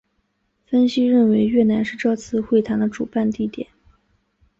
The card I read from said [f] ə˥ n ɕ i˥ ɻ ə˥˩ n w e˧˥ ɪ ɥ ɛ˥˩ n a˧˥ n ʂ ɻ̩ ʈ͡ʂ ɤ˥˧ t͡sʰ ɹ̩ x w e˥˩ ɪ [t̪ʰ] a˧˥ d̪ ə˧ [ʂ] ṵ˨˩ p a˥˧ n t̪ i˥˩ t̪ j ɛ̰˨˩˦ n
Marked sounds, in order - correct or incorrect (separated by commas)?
correct, correct, incorrect